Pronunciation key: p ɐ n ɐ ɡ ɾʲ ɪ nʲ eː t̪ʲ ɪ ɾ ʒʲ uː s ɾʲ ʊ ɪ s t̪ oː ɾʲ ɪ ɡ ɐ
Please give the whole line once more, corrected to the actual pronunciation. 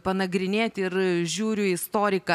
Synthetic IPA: p ɐ n ɐ ɡ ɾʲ ɪ nʲ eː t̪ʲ ɪ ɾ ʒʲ uː ɾʲ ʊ ɪ s t̪ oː ɾʲ ɪ k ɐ